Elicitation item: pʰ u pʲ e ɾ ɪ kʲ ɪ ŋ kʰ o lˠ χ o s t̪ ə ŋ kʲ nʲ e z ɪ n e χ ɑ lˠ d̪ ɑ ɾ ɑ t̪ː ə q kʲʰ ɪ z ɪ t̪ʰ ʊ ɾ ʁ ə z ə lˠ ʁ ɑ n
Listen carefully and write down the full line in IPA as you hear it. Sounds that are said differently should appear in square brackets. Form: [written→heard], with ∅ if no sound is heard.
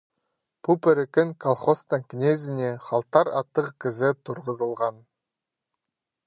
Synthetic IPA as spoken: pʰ u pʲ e ɾ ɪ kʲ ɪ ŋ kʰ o lˠ χ o s t̪ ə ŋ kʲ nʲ e z ɪ n e χ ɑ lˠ [d̪→t̪] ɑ ɾ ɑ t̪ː ə q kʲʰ ɪ z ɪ t̪ʰ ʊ ɾ ʁ ə z ə lˠ ʁ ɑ n